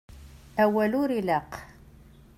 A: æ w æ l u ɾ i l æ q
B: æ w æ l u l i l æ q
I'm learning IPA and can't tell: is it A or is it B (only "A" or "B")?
A